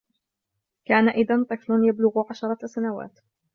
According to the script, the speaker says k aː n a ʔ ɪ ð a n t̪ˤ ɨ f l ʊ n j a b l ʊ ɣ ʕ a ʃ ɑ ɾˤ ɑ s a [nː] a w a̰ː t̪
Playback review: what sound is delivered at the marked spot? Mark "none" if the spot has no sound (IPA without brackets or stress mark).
n